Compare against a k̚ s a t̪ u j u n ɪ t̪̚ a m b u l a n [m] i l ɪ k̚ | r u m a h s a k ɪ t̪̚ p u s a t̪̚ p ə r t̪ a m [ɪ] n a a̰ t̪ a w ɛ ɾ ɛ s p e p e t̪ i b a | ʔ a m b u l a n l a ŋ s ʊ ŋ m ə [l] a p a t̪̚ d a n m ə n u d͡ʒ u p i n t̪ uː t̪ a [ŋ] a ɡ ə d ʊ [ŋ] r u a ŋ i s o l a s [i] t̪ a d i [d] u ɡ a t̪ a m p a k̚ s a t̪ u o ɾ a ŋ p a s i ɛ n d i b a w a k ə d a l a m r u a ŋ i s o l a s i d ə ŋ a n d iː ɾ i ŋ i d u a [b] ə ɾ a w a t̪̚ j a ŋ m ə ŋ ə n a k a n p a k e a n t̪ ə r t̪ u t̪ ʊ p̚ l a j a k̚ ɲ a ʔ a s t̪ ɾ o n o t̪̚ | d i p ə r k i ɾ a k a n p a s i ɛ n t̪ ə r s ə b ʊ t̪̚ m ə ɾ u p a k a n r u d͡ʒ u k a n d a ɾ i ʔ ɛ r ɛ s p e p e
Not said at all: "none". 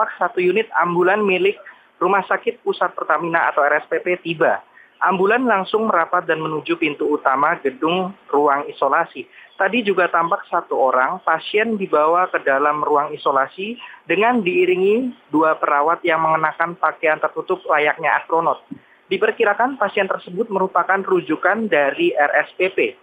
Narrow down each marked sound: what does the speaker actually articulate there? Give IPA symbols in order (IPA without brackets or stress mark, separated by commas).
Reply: m, i, ɾ, m, ŋ, i, d͡ʒ, p